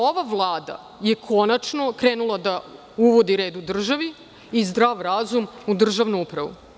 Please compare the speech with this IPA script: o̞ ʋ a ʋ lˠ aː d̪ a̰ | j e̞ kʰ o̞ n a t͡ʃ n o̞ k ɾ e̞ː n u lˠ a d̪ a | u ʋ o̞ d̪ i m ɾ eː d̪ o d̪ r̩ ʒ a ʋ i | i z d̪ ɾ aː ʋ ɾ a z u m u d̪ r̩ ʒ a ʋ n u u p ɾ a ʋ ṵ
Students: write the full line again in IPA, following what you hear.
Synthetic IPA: o̞ ʋ a ʋ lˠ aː d̪ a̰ | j e̞ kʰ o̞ n a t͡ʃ n o̞ k ɾ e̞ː n u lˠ a d̪ a | u ʋ o̞ d̪ i ɾ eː d̪ u d̪ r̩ ʒ a ʋ i | i z d̪ ɾ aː ʋ ɾ a z u m u d̪ r̩ ʒ a ʋ n u u p ɾ a ʋ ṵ